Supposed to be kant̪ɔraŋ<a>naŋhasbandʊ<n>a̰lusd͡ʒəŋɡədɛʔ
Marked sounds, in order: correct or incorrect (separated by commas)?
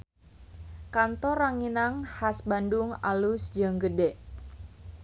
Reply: incorrect, incorrect